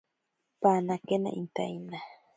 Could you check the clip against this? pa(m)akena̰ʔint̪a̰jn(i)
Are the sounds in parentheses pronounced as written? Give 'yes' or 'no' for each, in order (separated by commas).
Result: no, no